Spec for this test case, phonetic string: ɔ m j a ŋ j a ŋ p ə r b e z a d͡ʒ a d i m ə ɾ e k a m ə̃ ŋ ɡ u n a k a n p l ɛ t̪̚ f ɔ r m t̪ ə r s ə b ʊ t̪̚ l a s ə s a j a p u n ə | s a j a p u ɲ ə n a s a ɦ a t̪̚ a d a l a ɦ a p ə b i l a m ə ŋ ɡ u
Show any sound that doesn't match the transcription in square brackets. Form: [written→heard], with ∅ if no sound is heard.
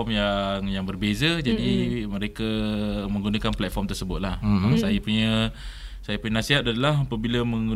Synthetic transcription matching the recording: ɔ m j a ŋ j a ŋ [p→b] ə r b e z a d͡ʒ a d i m ə ɾ e k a m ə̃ ŋ ɡ u n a k a n p l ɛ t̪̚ f ɔ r m t̪ ə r s ə b ʊ t̪̚ l a [s→h] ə s a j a p u [n→ɲ] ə | s a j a p u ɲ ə n a s [a→i] ɦ a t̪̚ a d a l a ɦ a p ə b i l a m ə ŋ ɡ u